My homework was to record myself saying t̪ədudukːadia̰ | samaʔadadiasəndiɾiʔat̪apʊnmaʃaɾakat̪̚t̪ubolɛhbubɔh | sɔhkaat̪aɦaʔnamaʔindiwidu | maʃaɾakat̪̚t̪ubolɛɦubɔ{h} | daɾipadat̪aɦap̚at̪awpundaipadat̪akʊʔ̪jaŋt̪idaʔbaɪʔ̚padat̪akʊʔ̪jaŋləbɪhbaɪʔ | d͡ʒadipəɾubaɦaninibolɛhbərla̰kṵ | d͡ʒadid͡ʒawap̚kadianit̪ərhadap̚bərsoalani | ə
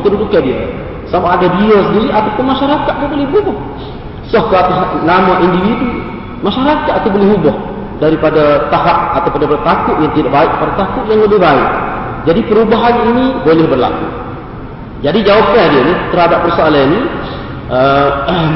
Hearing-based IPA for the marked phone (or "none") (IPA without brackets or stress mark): h